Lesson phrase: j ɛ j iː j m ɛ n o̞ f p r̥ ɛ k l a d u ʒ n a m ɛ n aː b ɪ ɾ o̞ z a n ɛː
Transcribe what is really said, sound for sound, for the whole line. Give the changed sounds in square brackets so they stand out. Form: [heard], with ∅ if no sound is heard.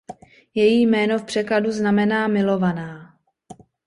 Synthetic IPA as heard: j ɛ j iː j m [ɛː] n o̞ f p r̥ ɛ k l a d u [z] n a m ɛ n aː [m] ɪ [l] o̞ [v] a n [aː]